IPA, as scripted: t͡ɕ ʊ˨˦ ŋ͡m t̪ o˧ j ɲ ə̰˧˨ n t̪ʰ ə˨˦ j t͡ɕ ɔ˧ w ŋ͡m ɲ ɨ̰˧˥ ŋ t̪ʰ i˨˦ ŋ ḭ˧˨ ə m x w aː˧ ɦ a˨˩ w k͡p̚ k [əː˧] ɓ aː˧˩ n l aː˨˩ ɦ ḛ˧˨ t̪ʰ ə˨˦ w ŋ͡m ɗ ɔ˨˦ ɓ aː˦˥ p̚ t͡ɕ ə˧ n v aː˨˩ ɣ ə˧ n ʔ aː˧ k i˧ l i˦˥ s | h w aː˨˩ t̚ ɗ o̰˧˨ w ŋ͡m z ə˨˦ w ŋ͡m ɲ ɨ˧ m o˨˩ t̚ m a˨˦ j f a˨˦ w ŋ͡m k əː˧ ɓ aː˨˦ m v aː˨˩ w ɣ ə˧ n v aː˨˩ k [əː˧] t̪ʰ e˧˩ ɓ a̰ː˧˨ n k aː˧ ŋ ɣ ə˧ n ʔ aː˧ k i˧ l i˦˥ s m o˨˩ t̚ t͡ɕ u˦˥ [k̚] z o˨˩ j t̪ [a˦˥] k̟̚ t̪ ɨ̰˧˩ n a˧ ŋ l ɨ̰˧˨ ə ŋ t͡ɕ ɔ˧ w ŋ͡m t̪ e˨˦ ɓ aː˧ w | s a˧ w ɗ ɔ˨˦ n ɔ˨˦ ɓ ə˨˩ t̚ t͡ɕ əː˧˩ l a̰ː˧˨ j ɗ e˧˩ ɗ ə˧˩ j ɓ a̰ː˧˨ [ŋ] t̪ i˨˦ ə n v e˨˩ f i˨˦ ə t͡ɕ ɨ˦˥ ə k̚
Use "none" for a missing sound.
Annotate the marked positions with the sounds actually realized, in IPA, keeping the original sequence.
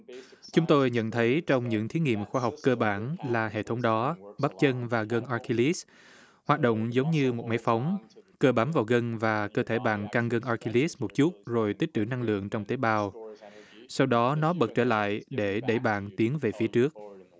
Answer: əː˧, əː˧, t̚, i˦˥, n

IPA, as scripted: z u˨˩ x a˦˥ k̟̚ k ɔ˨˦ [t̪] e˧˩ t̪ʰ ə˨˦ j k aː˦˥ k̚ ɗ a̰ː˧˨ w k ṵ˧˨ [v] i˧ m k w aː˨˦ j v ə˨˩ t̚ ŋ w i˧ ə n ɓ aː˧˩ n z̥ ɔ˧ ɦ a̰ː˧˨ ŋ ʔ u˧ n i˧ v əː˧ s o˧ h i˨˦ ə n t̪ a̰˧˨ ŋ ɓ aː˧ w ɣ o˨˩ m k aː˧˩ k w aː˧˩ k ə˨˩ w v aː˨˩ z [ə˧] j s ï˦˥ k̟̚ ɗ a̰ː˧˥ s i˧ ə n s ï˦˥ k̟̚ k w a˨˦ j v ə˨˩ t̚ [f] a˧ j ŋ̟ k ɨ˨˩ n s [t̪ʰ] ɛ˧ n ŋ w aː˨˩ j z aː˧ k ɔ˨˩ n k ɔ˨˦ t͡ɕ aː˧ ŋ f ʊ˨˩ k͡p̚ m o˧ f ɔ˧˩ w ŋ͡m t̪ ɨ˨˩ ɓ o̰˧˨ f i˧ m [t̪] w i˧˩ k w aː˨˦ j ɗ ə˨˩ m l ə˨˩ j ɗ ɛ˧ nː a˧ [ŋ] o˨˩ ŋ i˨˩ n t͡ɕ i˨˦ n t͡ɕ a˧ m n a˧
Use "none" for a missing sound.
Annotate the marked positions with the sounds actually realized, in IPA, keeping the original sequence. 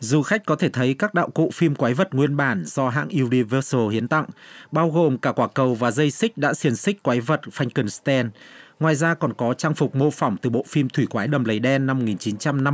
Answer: t̪ʰ, f, ə˧, f, t̪, t̪ʰ, m

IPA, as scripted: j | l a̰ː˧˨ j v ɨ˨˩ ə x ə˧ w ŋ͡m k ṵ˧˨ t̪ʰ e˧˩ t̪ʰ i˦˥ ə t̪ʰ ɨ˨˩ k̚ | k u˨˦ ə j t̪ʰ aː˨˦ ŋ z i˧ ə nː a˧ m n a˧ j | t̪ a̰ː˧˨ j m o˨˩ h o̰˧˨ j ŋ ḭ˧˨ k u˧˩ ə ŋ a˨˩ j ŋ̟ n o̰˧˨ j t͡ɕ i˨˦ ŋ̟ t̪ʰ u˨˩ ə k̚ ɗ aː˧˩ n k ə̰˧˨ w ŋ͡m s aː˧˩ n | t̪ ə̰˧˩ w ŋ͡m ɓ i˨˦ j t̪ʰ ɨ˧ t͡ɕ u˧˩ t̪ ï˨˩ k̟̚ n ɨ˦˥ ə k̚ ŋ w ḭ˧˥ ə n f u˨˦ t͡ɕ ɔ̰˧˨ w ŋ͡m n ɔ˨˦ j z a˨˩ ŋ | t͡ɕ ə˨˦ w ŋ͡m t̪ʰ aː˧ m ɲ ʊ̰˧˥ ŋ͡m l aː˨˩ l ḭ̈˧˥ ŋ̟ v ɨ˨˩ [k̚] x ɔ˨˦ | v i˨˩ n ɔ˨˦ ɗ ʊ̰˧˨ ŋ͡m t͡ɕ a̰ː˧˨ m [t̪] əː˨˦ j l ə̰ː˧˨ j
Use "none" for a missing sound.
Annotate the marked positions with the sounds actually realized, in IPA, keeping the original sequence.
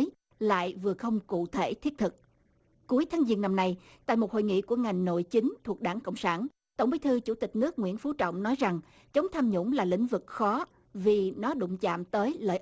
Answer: k̚, t̪

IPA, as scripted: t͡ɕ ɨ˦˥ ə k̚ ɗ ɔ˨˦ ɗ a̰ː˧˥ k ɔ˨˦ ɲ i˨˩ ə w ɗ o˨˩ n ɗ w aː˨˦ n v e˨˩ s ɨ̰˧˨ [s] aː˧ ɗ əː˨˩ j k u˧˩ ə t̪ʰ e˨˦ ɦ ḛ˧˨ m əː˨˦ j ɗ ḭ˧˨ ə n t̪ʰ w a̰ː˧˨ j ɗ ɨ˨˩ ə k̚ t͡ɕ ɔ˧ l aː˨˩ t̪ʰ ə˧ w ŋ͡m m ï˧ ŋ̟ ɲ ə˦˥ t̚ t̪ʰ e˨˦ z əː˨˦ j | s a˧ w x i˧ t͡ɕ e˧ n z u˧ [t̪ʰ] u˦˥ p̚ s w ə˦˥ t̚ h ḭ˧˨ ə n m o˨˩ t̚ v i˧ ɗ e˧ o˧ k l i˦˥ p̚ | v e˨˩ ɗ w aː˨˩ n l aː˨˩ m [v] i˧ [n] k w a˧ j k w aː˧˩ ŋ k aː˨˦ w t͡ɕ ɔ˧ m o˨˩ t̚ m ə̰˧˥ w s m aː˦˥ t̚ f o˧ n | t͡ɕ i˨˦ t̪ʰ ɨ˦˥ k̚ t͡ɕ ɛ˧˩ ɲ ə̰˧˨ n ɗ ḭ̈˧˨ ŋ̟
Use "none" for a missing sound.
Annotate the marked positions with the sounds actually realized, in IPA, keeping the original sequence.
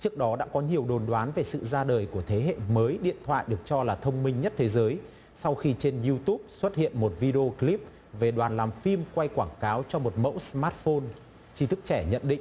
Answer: z, t̪, f, m

